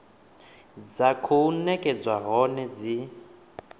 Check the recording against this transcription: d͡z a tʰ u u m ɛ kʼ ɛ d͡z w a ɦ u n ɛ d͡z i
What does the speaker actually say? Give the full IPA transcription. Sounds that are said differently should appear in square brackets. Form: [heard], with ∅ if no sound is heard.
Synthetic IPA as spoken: d͡z a [kʰ] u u [n] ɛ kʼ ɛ d͡z w a ɦ [ɔ] n ɛ d͡z i